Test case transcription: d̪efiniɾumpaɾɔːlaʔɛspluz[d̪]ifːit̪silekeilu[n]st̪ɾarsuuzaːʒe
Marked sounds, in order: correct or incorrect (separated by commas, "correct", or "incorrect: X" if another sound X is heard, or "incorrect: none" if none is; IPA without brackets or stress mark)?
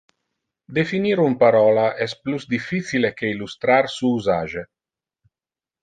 correct, incorrect: none